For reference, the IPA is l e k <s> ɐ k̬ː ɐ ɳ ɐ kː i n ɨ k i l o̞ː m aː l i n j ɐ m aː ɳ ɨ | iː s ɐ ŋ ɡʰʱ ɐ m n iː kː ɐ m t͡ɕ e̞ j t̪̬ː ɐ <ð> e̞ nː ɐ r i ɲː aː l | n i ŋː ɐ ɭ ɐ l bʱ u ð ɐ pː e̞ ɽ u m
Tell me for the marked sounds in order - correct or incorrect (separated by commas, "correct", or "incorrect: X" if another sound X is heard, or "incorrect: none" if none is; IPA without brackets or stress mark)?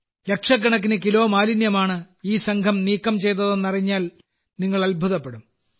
incorrect: ʂ, correct